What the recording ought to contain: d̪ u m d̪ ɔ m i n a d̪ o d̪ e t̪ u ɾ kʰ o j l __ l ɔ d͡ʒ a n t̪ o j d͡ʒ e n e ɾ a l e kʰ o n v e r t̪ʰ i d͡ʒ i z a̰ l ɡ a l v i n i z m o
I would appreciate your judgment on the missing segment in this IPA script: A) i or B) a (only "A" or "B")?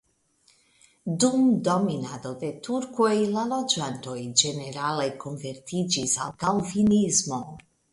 B